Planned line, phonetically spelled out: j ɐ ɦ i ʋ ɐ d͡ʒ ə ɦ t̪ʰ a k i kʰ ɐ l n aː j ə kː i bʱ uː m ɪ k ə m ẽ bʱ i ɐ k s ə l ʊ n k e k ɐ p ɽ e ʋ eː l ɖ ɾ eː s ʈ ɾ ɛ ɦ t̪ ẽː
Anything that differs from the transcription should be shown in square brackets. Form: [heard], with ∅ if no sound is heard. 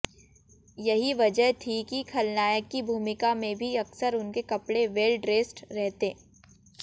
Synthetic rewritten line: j ɐ ɦ i ʋ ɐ d͡ʒ ə ɦ t̪ʰ [i] k i kʰ ɐ l n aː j ə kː i bʱ uː m ɪ k [a] m ẽ bʱ i ɐ k s ə [ɾ] ʊ n k e k ɐ p ɽ e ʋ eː l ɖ ɾ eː s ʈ ɾ ɛ ɦ t̪ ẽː

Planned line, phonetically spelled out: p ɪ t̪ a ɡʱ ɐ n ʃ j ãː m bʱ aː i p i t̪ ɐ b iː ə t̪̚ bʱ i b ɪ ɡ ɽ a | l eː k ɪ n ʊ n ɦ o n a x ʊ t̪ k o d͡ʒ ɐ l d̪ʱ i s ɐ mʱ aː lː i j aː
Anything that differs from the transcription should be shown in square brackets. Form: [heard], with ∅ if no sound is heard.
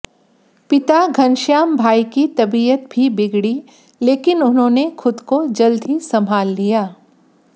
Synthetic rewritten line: p ɪ t̪ a ɡʱ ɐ n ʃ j [aː] m bʱ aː i [k] i t̪ ɐ b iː ə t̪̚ bʱ i b ɪ ɡ ɽ [i] | l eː k ɪ n ʊ n ɦ [õ] n [e] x ʊ [d̪] k o d͡ʒ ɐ l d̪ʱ i s ɐ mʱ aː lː i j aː

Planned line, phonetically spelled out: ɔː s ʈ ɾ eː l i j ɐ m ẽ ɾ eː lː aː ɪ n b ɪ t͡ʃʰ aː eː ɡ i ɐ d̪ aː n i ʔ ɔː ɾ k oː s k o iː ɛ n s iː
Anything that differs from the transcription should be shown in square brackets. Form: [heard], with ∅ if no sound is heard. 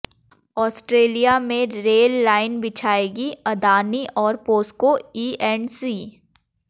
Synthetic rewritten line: ɔː s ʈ ɾ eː l i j [a] m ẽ ɾ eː lː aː ɪ n b ɪ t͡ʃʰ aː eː ɡ i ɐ d̪ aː n i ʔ ɔː ɾ [p] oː s k o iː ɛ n s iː

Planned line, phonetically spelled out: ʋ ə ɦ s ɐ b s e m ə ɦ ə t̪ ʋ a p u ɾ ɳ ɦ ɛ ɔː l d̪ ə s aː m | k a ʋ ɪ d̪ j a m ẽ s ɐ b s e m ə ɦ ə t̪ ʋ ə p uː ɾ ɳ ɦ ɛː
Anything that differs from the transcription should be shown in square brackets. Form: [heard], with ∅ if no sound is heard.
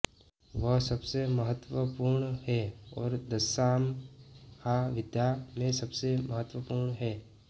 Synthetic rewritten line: ʋ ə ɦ s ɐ b s e m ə ɦ ə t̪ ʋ [ə] p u ɾ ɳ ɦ ɛ ɔː [ɾ] d̪ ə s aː m | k a ʋ ɪ d̪ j a m ẽ s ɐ b s e m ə ɦ ə t̪ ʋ ə p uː ɾ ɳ ɦ ɛː

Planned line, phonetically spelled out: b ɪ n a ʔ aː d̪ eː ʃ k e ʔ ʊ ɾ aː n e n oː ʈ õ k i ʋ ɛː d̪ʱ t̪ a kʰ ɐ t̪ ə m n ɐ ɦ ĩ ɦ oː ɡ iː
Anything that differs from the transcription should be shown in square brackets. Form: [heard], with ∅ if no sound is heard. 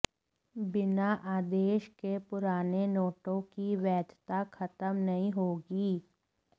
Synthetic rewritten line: b ɪ n a ʔ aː d̪ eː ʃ k e [p] ʊ ɾ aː n e n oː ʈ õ k i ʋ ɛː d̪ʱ t̪ a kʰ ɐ t̪ ə m n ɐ ɦ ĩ ɦ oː ɡ iː

